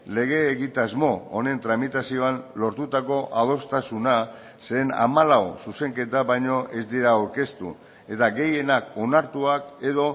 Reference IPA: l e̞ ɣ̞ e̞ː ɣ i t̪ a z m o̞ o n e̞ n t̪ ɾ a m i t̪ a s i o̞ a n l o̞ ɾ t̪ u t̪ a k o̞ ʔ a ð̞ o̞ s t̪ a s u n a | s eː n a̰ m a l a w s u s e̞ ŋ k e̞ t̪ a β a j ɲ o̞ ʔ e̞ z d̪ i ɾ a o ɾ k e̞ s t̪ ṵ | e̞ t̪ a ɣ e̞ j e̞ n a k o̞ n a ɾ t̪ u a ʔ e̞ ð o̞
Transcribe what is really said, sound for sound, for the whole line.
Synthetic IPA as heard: l e̞ ɣ̞ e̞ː ɣ i t̪ a z m o̞ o n e̞ n t̪ ɾ a m i t̪ a s i o̞ a n l o̞ ɾ t̪ u t̪ a k o̞ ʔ a ð̞ o̞ s t̪ a s u n a | s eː n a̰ m a l a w s u s e̞ ŋ k e̞ t̪ a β a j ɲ o̞ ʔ e̞ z d̪ i ɾ a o ɾ k e̞ s t̪ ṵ | e̞ t̪ a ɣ e̞ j e̞ n a k o̞ n a ɾ t̪ u a k e̞ ð o̞